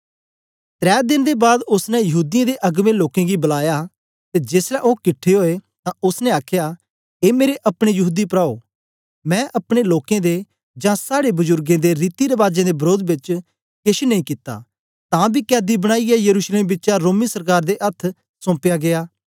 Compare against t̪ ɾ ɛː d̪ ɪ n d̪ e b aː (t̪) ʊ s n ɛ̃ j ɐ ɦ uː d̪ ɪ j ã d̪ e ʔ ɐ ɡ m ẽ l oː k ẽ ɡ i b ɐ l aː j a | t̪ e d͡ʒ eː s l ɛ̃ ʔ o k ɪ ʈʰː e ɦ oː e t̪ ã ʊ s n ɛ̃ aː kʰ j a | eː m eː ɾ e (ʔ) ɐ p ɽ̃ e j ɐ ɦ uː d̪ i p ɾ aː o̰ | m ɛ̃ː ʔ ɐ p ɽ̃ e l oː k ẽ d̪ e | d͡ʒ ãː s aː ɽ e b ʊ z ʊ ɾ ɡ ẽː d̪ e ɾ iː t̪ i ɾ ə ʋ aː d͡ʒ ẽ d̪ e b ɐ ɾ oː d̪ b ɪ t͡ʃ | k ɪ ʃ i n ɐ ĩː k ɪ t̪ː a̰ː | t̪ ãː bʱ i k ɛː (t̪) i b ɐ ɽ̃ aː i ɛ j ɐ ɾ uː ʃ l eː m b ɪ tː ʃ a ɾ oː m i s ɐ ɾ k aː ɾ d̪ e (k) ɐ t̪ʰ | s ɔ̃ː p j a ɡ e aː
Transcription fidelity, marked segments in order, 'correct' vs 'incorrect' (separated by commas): incorrect, correct, incorrect, incorrect